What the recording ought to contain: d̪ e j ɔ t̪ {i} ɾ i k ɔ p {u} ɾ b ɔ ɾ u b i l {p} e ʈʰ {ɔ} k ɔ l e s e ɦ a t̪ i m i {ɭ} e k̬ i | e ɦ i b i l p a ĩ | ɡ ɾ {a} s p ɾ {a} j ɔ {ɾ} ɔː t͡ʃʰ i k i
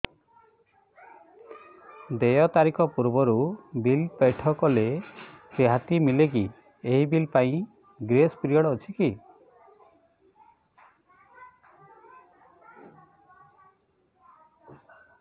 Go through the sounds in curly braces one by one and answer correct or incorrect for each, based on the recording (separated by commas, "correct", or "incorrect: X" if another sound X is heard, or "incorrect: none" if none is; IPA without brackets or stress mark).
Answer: incorrect: a, correct, correct, correct, incorrect: l, incorrect: e, incorrect: i, incorrect: ɽ